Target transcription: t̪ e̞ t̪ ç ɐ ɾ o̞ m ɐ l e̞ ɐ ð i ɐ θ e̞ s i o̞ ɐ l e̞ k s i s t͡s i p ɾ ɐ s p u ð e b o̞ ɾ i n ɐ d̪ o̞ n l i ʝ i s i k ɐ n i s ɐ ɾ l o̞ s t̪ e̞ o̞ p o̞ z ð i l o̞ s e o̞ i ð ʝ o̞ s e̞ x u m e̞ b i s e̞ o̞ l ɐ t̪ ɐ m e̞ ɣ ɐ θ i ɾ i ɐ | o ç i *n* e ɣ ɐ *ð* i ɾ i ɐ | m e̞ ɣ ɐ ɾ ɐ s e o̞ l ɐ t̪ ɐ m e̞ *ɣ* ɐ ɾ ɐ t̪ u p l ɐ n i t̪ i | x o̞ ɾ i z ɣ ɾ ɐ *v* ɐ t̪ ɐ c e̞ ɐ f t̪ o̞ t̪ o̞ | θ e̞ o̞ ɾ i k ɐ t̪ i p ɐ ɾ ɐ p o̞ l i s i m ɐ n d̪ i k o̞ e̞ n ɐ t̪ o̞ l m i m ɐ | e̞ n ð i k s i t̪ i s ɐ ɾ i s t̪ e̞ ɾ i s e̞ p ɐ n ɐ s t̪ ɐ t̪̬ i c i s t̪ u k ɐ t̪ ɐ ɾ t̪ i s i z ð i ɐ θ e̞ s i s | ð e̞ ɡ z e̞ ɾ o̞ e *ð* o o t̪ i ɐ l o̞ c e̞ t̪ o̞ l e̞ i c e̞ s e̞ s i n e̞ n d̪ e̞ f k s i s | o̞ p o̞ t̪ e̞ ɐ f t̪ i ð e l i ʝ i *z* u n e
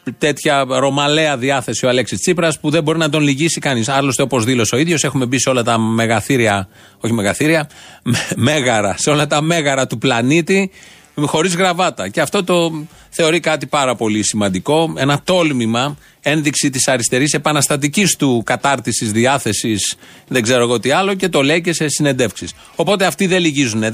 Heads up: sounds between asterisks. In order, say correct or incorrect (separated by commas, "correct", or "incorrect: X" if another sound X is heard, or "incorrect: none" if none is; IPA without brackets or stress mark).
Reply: incorrect: m, incorrect: θ, correct, correct, incorrect: ɣ, correct